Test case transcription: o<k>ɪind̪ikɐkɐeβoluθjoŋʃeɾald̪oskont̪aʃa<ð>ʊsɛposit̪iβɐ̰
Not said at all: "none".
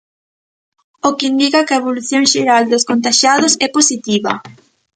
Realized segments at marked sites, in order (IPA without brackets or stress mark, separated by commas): k, ð